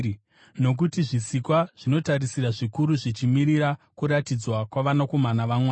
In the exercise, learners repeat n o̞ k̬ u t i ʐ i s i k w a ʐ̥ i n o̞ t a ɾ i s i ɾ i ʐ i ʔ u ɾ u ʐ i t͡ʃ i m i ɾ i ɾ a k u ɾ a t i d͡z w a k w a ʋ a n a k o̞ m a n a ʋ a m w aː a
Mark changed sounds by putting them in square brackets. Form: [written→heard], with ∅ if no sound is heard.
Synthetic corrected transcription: n o̞ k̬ u t i ʐ i s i k w a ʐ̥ i n o̞ t a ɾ i s i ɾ [i→a] ʐ i [ʔ→k] u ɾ u ʐ i t͡ʃ i m i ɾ i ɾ a k u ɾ a t i d͡z w a k w a ʋ a n a k o̞ m a n a ʋ a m w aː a